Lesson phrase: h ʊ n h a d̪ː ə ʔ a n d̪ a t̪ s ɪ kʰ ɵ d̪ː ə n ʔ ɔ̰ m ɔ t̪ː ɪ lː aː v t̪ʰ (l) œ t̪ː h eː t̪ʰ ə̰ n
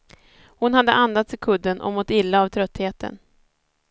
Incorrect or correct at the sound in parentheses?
incorrect: ɾ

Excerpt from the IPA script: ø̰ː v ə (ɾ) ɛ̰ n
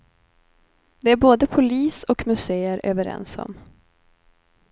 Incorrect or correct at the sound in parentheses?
correct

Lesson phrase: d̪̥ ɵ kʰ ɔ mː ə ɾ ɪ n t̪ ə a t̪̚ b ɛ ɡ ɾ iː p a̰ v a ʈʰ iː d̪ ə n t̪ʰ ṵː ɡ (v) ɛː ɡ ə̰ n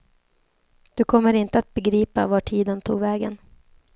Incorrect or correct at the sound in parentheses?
correct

